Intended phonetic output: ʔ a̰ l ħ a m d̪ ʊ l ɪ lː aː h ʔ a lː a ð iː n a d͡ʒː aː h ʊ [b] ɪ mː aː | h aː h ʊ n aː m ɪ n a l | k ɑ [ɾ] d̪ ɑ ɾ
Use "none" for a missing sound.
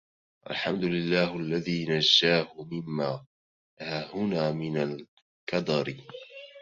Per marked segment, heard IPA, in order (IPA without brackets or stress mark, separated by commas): m, none